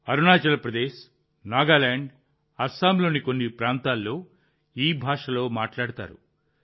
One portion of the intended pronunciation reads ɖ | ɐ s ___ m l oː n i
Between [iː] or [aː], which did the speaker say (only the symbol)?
aː